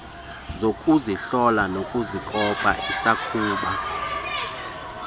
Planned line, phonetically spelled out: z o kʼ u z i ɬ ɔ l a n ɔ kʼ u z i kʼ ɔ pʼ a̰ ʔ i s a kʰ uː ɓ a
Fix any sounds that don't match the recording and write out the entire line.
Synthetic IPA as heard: z o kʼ u z i ɬ ɔ l a n o kʼ u z i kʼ ɔ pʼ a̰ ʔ i s a kʰ uː ɓ a

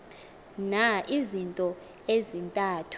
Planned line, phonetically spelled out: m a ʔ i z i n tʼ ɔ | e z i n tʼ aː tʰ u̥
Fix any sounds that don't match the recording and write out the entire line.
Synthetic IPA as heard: n a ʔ i z i n tʼ ɔ | e z i n tʼ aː tʰ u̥

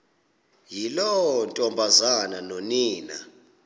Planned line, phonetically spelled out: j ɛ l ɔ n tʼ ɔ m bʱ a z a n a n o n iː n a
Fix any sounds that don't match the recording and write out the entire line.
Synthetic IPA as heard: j i l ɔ n tʼ ɔ m bʱ a z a n a n o n iː n a

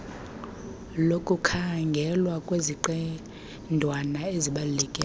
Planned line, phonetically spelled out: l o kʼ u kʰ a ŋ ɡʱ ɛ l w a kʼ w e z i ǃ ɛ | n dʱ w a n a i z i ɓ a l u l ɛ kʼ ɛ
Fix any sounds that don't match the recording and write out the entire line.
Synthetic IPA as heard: l o kʼ u kʰ a ŋ ɡʱ ɛ l w a kʼ w e z i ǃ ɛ | n dʱ w a n a e z i ɓ a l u l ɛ kʼ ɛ

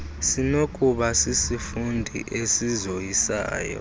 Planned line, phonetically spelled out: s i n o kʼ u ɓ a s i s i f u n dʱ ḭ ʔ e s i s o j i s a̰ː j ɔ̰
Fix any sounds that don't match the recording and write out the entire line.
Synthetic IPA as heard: s i n o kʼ u ɓ a s i s i f u n dʱ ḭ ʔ e s i z o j i s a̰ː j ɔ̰

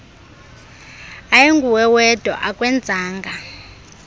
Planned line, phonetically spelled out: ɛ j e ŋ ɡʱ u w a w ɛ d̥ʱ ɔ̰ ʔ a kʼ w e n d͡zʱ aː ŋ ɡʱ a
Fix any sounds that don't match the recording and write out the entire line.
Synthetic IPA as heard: a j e ŋ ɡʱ u w ɛ w ɛ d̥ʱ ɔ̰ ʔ a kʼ w ɛ n d͡zʱ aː ŋ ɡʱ a

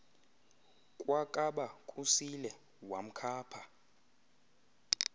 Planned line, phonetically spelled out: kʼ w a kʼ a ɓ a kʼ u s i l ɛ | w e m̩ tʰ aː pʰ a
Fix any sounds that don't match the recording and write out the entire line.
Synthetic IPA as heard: kʼ w a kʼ a ɓ a kʼ u s i l ɛ | w a m̩ kʰ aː pʰ a

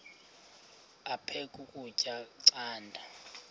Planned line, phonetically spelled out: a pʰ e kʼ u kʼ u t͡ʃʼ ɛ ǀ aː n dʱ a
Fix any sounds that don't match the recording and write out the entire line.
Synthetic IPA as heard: a pʰ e kʼ u kʼ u t͡ʃʼ a ǀ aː n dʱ a

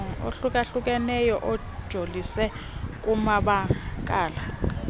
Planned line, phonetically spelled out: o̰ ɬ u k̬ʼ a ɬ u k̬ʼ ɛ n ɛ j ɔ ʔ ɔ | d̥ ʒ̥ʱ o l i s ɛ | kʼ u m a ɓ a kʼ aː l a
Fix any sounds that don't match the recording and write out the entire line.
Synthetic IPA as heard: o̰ ɬ u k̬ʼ a ɬ u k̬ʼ ɛ n ɛ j ɔ ʔ ɔ | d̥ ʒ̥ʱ o l i s ɛ | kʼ u m a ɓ a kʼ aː l a

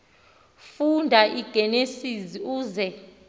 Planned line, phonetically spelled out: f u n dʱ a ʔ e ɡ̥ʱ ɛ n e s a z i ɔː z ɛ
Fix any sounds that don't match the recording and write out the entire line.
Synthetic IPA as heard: f u n dʱ a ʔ i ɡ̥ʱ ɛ n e s i z i uː z ɛ

